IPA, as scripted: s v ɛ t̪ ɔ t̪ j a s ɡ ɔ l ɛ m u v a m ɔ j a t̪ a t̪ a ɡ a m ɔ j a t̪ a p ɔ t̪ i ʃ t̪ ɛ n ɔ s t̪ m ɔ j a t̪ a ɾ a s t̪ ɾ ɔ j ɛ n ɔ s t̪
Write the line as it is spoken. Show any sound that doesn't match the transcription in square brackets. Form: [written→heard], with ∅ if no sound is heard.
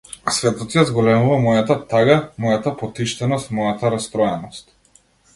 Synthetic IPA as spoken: s v ɛ t̪ ɔ t̪ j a [s→z] ɡ ɔ l ɛ m u v a m ɔ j a t̪ a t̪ a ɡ a m ɔ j a t̪ a p ɔ t̪ i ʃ t̪ ɛ n ɔ s t̪ m ɔ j a t̪ a ɾ a s t̪ ɾ ɔ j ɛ n ɔ s t̪

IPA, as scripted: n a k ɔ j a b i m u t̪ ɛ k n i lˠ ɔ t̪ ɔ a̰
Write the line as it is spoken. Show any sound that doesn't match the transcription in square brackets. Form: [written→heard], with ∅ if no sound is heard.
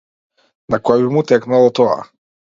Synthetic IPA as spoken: n a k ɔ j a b i m u t̪ ɛ k n [i→a] lˠ ɔ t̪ ɔ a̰

